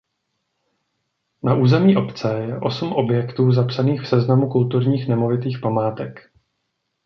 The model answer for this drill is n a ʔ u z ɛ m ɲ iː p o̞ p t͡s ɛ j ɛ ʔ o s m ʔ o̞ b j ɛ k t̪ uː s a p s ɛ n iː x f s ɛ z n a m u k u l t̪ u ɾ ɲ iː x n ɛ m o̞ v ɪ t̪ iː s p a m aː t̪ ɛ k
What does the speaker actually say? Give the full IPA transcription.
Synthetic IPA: n a ʔ uː z ɛ m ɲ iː ʔ o̞ p t͡s ɛ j ɛ ʔ o s m ʔ o̞ b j ɛ k t̪ uː z a p s a n iː x f s ɛ z n a m u k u l t̪ u ɾ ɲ iː x n ɛ m o̞ v ɪ t̪ iː x p a m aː t̪ ɛ k